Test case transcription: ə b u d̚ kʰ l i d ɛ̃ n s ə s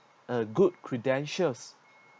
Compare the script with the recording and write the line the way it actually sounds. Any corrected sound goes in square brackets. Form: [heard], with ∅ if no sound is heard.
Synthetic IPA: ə [ɡ] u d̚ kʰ [ɹ] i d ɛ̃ n [ʃ] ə s